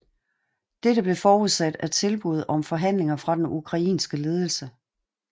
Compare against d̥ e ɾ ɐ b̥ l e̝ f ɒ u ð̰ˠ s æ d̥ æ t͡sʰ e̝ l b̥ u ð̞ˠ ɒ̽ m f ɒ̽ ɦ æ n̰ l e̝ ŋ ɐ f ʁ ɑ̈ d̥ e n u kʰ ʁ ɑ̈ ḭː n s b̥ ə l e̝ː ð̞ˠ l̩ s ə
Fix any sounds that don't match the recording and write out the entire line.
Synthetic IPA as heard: d̥ e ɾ ə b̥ l e̝ f ɒː u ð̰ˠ s æ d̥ æ t͡sʰ e̝ l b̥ u ð̞ˠ ɒ̽ m f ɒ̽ ɦ æ n̰ l e̝ ŋ ɐ f ʁ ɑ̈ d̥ e n u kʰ ʁ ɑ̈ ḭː n s ɡ̥ ə l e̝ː ð̞ˠ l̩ s ə